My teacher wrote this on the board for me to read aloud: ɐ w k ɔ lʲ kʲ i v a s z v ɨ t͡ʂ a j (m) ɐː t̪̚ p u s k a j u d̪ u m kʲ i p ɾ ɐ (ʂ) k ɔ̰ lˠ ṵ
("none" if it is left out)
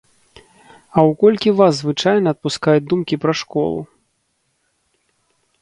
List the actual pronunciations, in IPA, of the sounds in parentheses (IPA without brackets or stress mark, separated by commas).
n, ʂ